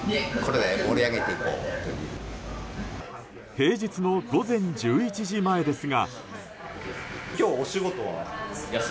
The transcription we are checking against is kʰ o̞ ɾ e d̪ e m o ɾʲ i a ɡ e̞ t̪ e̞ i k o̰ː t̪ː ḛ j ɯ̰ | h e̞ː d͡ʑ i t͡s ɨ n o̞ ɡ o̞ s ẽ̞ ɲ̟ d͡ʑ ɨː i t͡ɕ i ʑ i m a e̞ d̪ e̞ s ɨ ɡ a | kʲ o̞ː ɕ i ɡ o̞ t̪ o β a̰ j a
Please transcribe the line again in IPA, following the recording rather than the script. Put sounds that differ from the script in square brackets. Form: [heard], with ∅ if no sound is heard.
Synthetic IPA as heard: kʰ o̞ ɾ e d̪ e m o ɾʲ i a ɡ e̞ t̪ e̞ i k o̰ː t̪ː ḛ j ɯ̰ | h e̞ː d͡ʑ i t͡s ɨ n o̞ ɡ o̞ [z] ẽ̞ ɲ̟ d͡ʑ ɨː i t͡ɕ i ʑ i m a e̞ d̪ e̞ s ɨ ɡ a | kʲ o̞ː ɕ i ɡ o̞ t̪ o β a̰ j a